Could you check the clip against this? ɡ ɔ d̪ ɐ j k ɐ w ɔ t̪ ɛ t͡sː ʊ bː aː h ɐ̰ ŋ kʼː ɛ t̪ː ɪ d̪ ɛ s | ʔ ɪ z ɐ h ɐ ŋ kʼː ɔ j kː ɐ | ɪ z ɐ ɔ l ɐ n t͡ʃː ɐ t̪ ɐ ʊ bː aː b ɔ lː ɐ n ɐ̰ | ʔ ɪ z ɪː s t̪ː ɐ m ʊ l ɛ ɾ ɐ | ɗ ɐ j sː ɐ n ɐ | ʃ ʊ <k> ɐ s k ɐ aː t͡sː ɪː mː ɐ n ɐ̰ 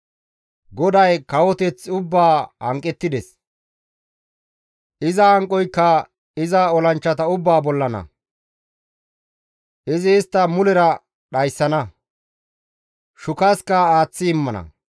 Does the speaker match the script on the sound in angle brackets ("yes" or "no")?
yes